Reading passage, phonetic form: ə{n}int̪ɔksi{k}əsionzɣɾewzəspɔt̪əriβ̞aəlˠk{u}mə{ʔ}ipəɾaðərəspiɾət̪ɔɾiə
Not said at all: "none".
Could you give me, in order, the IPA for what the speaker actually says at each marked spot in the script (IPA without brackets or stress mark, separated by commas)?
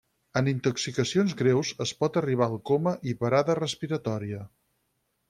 n, k, o, ʔ